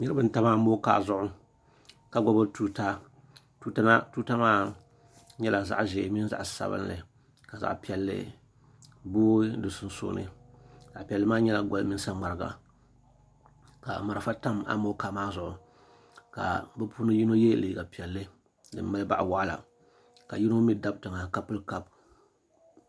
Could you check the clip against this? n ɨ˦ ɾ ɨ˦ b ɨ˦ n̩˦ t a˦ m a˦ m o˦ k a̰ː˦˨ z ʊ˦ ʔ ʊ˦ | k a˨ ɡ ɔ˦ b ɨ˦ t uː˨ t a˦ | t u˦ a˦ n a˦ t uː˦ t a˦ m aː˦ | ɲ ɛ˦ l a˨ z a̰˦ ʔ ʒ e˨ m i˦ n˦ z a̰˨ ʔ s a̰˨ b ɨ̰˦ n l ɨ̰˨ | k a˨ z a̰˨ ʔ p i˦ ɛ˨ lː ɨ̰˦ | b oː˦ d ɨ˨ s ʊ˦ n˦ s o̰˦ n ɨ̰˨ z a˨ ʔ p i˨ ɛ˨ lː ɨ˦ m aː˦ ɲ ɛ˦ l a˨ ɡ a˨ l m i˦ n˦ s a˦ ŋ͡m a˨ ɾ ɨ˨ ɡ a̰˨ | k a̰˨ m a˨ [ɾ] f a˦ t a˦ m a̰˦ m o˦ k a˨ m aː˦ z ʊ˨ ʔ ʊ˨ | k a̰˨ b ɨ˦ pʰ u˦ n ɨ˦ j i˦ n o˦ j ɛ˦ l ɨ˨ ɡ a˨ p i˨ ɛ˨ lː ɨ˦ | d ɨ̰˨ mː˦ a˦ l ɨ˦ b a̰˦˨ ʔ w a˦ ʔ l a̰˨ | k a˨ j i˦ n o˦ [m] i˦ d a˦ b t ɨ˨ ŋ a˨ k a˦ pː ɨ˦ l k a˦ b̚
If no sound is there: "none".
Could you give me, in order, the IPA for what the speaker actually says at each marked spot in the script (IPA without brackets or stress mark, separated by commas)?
ɾ, m